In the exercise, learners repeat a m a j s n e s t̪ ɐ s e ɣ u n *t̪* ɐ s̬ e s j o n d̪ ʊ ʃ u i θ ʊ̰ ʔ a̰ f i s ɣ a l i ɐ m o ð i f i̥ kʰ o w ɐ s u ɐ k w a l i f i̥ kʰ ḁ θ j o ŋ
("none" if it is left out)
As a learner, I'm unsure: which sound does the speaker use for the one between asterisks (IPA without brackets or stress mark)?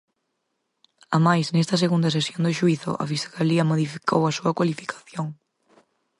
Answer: d̪